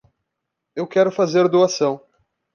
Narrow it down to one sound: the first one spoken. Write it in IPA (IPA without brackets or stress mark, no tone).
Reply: e